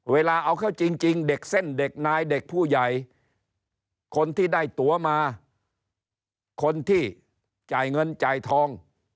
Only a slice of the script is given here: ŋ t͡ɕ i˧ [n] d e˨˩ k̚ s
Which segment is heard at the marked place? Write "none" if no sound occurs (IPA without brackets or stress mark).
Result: ŋ